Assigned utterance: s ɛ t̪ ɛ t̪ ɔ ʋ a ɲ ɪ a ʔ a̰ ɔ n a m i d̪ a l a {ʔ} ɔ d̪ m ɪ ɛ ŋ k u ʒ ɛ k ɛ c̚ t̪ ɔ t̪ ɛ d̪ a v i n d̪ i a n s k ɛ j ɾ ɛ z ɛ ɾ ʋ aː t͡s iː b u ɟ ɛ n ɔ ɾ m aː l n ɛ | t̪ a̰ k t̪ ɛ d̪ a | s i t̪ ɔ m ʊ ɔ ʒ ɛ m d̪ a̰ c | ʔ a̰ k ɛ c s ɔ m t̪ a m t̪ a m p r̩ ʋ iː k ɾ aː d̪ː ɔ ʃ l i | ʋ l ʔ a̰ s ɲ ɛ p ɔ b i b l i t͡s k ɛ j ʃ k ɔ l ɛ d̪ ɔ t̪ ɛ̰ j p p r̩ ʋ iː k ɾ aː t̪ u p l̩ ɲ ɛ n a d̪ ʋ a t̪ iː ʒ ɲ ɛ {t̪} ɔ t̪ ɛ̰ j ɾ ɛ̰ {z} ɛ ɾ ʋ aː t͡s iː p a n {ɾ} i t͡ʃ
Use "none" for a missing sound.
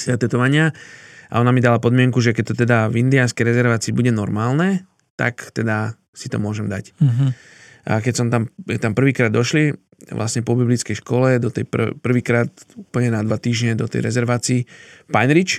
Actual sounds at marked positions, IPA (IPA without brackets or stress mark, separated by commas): p, d̪, z, ɾ